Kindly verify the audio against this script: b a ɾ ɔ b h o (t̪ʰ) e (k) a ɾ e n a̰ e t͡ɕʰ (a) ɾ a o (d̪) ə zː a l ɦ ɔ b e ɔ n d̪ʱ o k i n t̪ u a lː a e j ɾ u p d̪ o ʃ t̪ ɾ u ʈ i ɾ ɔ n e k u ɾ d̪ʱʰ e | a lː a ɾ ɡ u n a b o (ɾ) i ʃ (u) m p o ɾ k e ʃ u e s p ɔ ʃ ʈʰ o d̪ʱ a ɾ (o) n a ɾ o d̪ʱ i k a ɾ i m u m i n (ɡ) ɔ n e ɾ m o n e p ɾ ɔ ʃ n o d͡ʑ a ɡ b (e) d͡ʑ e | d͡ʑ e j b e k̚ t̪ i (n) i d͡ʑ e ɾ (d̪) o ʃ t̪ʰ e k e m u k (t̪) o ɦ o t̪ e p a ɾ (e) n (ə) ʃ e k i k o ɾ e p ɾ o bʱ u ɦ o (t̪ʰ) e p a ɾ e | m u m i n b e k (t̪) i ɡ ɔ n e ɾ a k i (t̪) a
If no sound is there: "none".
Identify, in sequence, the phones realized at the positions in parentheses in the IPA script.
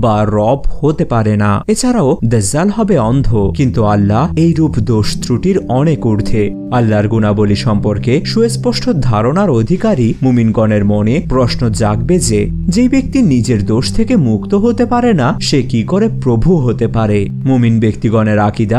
t̪, p, a, d̪, l, ɔ, o, ɡ, e, n, d̪, t̪, e, a, t̪, t̪, d̪

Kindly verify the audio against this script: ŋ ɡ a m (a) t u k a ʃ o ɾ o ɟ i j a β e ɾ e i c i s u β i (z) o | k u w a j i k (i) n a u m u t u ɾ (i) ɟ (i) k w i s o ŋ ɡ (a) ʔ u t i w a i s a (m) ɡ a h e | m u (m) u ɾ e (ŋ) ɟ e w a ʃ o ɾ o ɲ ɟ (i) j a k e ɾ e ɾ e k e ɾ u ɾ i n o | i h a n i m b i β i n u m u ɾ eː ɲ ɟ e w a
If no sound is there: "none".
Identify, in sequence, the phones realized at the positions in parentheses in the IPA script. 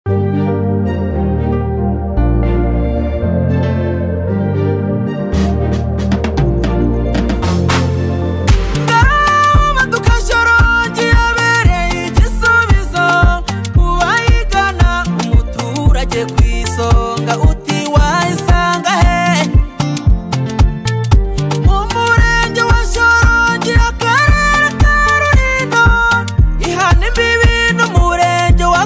a, z, a, a, e, a, ŋ, m, ɲ, i

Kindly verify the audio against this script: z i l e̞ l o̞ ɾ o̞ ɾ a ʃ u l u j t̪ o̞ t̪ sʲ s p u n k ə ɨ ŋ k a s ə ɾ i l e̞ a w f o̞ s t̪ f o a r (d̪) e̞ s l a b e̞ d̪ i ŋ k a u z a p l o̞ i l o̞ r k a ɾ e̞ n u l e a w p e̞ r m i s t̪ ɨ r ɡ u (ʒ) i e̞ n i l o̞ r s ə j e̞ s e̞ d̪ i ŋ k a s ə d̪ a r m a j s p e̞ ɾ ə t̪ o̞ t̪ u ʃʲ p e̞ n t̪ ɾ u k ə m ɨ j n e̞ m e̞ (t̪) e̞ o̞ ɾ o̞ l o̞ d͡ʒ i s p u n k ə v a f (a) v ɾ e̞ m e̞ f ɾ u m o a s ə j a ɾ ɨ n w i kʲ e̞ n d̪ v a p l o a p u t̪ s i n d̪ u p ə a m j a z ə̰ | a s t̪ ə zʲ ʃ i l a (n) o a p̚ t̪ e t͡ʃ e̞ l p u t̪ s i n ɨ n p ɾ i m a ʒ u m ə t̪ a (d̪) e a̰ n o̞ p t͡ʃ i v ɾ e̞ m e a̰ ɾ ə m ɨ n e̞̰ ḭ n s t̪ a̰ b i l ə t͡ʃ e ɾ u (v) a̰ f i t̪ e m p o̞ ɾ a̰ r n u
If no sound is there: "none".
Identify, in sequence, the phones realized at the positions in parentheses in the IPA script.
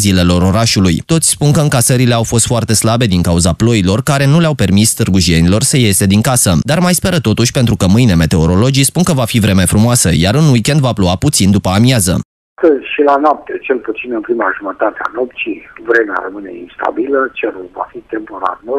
t̪, ʒ, t̪, i, n, t̪, v

